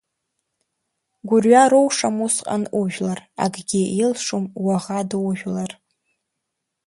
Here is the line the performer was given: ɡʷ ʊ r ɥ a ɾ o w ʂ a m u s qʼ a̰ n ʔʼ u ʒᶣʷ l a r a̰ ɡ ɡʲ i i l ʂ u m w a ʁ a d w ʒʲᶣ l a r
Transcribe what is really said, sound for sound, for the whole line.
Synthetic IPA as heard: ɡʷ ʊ r ɥ a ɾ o w ʂ a m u s qʼ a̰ n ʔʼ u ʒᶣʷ l a r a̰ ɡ ɡʲ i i l ʂ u m w a ʁ a d w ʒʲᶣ l a r